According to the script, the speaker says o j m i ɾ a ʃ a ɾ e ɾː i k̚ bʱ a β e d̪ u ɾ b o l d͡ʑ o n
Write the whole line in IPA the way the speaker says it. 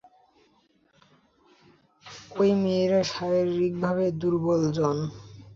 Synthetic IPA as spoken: o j m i ɾ a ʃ a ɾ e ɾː i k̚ bʱ a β e d̪ u ɾ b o l d͡ʑ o n